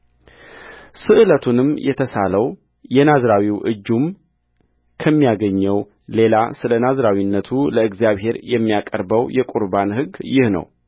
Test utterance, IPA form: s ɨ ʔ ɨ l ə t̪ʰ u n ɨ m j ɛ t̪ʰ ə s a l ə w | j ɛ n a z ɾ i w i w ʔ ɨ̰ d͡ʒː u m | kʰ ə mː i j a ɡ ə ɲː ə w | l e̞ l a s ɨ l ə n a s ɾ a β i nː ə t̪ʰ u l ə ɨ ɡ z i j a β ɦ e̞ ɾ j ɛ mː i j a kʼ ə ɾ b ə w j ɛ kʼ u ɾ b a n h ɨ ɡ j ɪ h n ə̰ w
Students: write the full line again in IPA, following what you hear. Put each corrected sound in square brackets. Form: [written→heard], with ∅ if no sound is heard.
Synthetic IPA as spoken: s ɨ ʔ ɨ l ə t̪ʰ u n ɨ m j ɛ t̪ʰ ə s a l ə w | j ɛ n a z ɾ [i→a] w i w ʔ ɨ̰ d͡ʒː u m | kʰ ə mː i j a ɡ ə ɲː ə w | l e̞ l a s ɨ l ə n a [s→z] ɾ a [β→w] i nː ə t̪ʰ u l ə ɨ ɡ z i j a β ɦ e̞ ɾ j ɛ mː i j a kʼ ə ɾ b ə w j ɛ kʼ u ɾ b a n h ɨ ɡ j ɪ h n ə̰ w